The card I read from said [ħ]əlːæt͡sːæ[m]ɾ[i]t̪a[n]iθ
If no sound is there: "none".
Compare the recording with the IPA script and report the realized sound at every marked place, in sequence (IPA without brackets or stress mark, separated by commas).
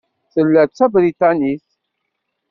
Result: θ, b, i, n